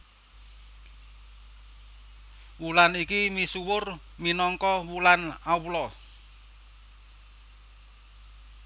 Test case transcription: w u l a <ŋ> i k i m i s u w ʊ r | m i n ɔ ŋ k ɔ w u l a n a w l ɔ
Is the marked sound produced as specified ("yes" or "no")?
no